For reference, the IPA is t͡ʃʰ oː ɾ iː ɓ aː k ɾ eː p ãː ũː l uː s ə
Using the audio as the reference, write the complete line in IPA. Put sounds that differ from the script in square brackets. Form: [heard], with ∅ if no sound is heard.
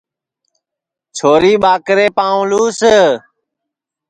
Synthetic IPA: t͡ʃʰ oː ɾ iː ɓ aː k ɾ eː p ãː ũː l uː s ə